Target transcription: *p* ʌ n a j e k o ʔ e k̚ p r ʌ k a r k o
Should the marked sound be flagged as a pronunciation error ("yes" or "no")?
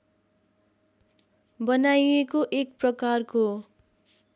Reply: yes